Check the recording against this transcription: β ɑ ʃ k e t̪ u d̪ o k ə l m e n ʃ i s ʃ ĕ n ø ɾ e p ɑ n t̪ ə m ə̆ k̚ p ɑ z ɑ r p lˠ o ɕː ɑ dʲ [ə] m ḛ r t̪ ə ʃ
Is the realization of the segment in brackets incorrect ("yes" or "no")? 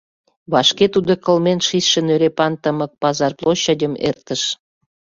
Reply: no